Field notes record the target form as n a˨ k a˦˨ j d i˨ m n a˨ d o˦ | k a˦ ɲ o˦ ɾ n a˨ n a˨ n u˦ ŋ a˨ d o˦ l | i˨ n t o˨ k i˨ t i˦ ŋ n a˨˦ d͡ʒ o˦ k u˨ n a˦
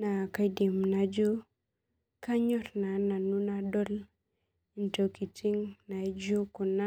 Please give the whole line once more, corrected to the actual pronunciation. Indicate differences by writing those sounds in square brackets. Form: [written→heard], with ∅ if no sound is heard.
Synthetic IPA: n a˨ k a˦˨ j d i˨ m n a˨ [d→d͡ʒ] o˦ | k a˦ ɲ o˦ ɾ n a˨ n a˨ n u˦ [ŋ→n] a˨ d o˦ l | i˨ n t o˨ k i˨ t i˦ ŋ n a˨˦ d͡ʒ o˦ k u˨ n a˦